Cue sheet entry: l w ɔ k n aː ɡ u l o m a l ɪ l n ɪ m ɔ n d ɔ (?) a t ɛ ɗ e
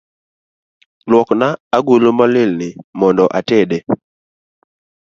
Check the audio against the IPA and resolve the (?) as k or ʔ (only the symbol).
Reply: ʔ